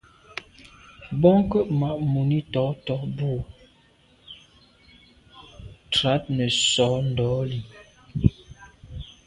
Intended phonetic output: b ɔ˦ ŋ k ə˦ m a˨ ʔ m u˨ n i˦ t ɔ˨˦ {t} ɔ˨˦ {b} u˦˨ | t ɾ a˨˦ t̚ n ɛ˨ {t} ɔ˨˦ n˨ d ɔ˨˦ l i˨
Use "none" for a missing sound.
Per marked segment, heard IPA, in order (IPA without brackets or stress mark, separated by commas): t, b, s